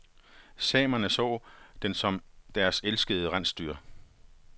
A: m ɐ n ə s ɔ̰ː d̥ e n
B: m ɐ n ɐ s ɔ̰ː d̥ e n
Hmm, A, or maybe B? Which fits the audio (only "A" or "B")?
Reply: A